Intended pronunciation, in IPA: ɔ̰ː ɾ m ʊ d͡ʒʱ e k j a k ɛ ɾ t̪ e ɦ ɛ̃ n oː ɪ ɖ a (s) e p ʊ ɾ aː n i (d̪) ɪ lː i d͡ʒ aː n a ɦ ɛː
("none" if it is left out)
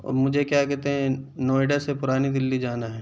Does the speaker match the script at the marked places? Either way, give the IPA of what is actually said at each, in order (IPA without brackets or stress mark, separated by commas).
s, d̪